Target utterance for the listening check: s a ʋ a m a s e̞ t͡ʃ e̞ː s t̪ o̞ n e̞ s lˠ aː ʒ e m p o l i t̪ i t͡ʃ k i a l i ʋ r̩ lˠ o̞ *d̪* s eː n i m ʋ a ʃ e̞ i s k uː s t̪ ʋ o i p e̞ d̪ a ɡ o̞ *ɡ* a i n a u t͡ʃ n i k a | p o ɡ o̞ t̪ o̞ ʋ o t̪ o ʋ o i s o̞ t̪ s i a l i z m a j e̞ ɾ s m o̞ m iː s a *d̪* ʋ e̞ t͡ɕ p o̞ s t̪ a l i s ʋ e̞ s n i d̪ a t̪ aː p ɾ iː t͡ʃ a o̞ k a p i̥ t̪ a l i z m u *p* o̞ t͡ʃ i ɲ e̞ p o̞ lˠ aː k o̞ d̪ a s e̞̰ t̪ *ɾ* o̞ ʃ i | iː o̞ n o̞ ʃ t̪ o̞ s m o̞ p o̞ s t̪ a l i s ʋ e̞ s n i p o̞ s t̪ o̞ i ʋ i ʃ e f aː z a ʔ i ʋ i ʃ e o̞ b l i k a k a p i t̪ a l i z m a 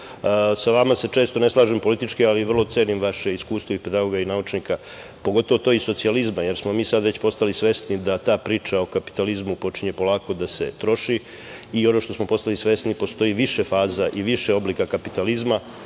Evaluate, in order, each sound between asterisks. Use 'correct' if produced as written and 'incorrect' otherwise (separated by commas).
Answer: incorrect, correct, correct, correct, correct